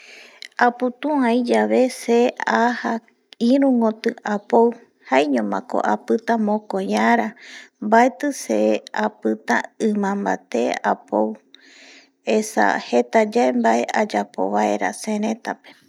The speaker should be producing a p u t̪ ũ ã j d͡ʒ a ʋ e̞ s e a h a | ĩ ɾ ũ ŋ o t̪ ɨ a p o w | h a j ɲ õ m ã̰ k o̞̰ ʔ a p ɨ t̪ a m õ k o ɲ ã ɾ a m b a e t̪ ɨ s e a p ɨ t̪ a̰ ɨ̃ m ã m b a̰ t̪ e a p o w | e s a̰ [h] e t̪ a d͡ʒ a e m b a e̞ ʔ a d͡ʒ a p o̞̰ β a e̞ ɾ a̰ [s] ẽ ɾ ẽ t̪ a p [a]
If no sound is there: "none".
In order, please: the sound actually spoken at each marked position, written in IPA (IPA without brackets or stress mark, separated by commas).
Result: h, s, e